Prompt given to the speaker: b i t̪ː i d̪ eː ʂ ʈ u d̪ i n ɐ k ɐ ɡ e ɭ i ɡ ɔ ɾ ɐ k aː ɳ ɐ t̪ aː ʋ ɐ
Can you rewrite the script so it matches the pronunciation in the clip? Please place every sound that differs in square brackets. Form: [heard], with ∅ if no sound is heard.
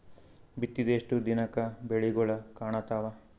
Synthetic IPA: b i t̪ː i d̪ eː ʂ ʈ u d̪ i n ɐ k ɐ [b] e ɭ i ɡ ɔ [ɭ] ɐ k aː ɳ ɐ t̪ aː ʋ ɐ